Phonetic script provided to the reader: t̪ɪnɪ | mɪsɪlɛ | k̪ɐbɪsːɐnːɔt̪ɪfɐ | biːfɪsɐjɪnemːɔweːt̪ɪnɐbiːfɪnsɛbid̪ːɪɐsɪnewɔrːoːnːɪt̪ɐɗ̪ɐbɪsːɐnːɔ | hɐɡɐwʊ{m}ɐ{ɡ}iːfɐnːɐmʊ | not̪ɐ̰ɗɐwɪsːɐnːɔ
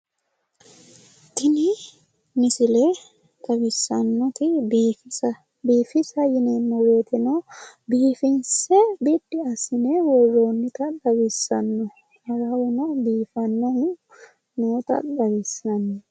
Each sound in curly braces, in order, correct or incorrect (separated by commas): incorrect, incorrect